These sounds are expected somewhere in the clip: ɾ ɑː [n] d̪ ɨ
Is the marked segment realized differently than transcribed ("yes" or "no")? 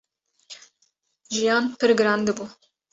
no